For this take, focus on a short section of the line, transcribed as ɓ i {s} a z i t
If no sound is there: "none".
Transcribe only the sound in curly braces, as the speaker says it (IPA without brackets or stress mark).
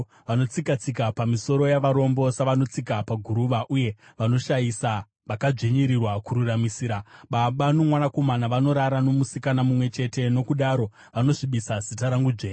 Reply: s